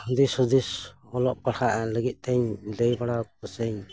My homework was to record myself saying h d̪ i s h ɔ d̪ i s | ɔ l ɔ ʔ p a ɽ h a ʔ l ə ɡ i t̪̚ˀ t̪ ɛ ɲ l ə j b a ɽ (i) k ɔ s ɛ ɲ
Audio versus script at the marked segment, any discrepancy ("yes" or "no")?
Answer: yes